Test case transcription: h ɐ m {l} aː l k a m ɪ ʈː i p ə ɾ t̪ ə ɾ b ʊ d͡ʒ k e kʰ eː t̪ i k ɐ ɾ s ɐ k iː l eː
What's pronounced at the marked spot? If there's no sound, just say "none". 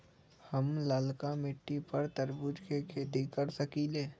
l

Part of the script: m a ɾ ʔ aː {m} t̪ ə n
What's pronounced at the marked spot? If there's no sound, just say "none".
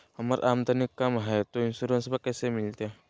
m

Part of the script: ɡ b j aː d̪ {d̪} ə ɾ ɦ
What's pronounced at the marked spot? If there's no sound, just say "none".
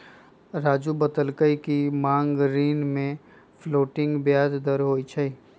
d̪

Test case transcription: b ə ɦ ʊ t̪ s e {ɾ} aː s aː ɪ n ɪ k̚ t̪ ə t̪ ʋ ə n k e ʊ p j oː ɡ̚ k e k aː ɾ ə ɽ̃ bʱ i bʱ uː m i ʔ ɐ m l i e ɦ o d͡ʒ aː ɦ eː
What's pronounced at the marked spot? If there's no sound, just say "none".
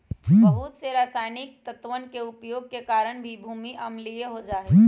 ɾ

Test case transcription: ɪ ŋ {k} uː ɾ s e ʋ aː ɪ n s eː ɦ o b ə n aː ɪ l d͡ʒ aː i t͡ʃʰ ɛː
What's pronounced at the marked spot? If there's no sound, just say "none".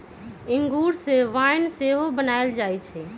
ɡ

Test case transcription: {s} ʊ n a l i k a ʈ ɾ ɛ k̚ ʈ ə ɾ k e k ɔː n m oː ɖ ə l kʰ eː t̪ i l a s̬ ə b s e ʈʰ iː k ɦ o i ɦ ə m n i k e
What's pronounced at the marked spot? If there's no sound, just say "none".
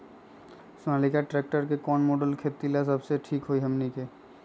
s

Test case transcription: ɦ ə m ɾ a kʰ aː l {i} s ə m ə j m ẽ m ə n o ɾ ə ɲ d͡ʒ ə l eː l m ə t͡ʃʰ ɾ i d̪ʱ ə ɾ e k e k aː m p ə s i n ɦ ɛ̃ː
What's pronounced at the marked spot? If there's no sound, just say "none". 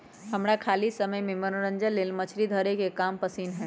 i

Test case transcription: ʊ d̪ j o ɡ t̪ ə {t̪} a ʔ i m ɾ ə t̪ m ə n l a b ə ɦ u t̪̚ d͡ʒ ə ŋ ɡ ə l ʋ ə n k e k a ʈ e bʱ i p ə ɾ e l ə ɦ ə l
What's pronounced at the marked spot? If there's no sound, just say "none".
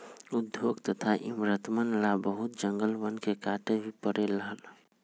t̪ʰ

